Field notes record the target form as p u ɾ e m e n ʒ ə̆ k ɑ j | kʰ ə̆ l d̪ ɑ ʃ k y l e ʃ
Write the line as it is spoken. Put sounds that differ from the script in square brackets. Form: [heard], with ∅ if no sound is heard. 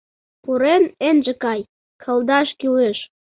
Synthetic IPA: p u ɾ e [n] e n ʒ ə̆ k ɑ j | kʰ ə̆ l d̪ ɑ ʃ k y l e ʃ